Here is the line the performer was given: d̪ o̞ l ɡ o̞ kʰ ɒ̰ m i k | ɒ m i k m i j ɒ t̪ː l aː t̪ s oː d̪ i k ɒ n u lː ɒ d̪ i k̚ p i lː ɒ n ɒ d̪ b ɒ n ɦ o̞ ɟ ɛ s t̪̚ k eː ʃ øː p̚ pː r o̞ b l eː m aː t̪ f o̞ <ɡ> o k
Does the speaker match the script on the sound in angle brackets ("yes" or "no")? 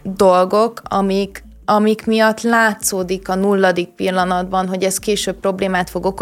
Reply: yes